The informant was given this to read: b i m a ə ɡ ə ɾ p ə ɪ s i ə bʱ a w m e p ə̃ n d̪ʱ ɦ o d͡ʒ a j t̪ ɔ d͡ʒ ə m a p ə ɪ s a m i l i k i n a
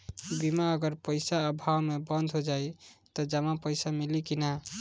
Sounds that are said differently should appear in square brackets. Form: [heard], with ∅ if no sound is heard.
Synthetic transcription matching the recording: b i m a ə ɡ ə ɾ p ə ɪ s [a] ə bʱ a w m e [b] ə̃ n d̪ʱ ɦ o d͡ʒ a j t̪ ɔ d͡ʒ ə m a p ə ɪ s a m i l i k i n a